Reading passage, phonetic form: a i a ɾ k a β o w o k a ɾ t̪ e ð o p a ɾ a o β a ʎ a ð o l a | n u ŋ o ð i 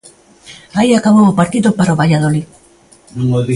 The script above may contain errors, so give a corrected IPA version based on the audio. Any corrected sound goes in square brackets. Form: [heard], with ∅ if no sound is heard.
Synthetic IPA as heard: a i a [∅] k a β o w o [p] a ɾ t̪ [i] ð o p a ɾ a o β a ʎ a ð o l [i] | n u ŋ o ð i

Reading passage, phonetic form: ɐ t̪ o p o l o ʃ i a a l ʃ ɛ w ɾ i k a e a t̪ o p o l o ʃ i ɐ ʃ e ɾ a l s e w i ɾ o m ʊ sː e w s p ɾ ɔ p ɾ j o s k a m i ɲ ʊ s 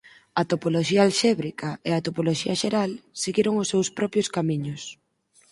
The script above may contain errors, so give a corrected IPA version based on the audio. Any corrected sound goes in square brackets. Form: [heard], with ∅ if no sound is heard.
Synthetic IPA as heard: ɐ t̪ o p o l o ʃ i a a l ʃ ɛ [β] ɾ i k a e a t̪ o p o l o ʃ i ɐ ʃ e ɾ a l s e [ɣ] i ɾ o [ŋ] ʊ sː e w s p ɾ ɔ p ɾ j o s k a m i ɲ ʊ s

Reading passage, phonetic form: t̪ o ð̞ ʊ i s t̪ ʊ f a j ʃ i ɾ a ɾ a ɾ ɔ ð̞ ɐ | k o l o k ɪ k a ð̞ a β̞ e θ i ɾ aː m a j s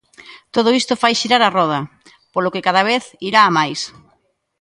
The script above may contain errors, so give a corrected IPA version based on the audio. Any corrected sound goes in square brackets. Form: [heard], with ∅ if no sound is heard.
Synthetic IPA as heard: t̪ o ð̞ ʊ i s t̪ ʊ f a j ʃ i ɾ a ɾ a [r] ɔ ð̞ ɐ | [p] o l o k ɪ k a ð̞ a β̞ e θ i ɾ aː m a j s

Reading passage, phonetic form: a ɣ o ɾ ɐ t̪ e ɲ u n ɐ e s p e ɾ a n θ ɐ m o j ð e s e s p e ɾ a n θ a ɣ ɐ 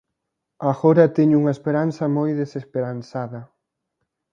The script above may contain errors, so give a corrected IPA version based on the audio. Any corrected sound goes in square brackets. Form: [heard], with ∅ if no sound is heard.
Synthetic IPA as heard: a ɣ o ɾ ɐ t̪ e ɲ u [ŋ] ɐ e s p e ɾ a n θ ɐ m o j ð e s e s p e ɾ a n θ a [ð] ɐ

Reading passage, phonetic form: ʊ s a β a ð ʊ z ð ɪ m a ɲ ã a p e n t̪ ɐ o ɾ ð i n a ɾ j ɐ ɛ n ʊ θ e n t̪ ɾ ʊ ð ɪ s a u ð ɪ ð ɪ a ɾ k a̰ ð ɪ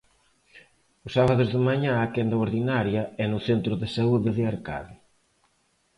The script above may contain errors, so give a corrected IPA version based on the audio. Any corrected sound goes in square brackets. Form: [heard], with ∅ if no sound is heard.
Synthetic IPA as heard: ʊ s a β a ð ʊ z ð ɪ m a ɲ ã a [k] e n [d̪] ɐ o ɾ ð i n a ɾ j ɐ ɛ n ʊ θ e n t̪ ɾ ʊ ð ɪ s a u ð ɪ ð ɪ a ɾ k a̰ ð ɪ

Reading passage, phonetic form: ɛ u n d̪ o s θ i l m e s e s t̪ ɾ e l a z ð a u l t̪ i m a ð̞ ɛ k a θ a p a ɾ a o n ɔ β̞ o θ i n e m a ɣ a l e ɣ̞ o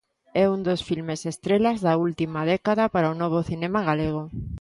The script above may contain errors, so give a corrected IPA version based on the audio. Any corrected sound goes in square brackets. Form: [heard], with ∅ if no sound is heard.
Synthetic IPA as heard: ɛ u n d̪ o s [f] i l m e s e s t̪ ɾ e l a z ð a u l t̪ i m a ð̞ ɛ k a [ð] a p a ɾ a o n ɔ β̞ o θ i n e m a ɣ a l e ɣ̞ o

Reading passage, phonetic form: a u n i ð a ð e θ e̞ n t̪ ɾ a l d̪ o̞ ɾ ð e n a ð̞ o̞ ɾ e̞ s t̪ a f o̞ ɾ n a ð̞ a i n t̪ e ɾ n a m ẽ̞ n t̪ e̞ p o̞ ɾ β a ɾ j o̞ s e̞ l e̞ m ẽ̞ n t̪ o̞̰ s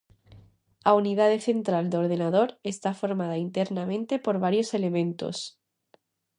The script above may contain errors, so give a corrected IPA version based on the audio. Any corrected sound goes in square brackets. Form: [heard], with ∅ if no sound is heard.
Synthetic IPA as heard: a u n i ð a ð e θ e̞ n t̪ ɾ a l d̪ o̞ ɾ ð e n a ð̞ o̞ ɾ e̞ s t̪ a f o̞ ɾ [m] a ð̞ a i n t̪ e ɾ n a m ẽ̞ n t̪ e̞ p o̞ ɾ β a ɾ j o̞ s e̞ l e̞ m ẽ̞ n t̪ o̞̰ s

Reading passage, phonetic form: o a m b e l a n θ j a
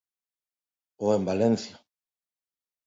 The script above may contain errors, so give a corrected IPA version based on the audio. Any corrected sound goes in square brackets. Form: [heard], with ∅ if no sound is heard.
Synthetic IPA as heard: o [e] m b [a] l [e] n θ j a

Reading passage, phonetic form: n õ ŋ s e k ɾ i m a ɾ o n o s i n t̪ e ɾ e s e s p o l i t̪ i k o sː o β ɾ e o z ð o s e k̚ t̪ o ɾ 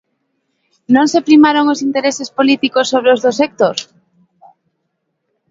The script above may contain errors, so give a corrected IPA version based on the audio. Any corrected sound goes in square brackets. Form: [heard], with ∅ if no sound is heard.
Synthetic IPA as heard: n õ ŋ s e [p] ɾ i m a ɾ o [ŋ] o s i n t̪ e ɾ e s e s p o l i t̪ i k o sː o β ɾ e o z ð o s e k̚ t̪ o ɾ

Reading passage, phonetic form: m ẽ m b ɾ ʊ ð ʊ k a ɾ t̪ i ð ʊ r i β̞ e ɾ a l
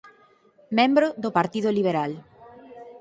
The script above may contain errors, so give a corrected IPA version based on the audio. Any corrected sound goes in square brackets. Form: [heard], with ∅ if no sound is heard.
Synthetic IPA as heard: m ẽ m b ɾ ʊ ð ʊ [p] a ɾ t̪ i ð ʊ [l] i β̞ e ɾ a l

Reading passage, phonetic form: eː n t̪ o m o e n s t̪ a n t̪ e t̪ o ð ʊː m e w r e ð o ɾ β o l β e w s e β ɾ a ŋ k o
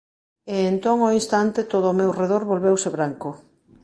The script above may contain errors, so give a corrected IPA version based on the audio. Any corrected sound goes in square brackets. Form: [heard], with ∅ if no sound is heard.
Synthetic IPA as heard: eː n t̪ o [ŋ] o [i] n s t̪ a n t̪ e t̪ o ð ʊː m e w r e ð o ɾ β o l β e w s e β ɾ a ŋ k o

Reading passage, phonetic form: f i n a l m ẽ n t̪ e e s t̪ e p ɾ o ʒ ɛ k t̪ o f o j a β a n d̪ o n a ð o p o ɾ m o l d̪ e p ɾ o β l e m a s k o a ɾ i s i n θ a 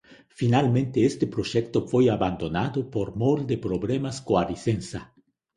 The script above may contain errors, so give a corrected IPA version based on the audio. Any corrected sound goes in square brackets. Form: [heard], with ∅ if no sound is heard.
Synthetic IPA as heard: f i n a l m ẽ n t̪ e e s t̪ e p ɾ o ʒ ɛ k t̪ o f o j a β a n d̪ o n a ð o p o ɾ m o l d̪ e p ɾ o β l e m a s k o a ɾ i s [e] n [s] a

